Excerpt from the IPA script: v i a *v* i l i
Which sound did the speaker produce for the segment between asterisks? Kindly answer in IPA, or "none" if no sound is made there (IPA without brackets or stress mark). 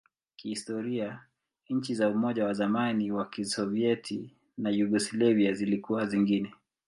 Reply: z